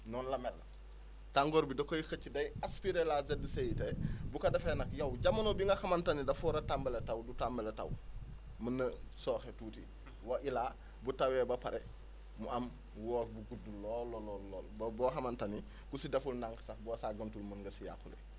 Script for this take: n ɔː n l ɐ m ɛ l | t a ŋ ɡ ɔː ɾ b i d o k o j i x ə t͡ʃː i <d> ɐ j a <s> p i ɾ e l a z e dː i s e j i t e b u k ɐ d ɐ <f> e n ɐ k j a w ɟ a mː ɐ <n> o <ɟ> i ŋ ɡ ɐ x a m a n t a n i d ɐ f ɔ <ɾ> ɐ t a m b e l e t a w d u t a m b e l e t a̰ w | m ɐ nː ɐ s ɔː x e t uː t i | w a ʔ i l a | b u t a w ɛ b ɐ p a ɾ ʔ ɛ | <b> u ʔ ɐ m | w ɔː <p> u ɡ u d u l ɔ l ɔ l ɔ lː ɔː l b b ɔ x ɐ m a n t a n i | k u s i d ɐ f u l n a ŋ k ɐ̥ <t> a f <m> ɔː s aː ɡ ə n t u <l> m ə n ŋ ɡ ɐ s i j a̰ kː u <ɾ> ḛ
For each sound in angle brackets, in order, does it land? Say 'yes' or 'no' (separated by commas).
yes, yes, yes, yes, no, yes, no, no, no, no, yes, no